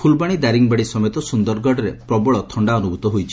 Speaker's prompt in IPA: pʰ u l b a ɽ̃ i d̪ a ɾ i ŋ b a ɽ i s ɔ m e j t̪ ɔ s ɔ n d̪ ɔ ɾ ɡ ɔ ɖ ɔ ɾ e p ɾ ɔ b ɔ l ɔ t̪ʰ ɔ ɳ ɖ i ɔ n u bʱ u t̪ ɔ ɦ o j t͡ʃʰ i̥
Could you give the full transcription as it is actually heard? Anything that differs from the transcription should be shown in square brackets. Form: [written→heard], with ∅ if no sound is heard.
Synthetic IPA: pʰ u l b a ɽ̃ i d̪ a ɾ i ŋ b a ɽ i s ɔ m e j t̪ ɔ s [ɔ→u] n d̪ ɔ ɾ ɡ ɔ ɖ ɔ ɾ e p ɾ ɔ b ɔ [l→ɭ] ɔ t̪ʰ ɔ ɳ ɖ [i→a] ɔ n u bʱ u t̪ ɔ ɦ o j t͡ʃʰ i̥